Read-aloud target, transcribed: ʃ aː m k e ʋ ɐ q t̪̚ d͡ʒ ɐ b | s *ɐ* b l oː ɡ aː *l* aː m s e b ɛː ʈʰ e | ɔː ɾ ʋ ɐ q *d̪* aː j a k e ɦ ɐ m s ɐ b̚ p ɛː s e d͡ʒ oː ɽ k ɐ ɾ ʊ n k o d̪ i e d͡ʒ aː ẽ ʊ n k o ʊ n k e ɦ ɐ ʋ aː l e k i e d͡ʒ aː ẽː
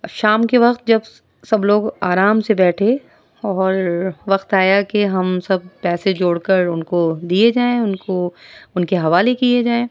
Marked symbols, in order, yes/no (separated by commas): yes, no, no